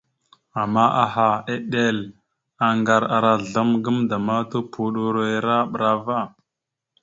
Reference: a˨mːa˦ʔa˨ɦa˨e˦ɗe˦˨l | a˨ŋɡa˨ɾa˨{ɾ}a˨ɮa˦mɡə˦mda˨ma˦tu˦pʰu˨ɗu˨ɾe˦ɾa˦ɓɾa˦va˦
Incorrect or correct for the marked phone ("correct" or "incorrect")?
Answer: correct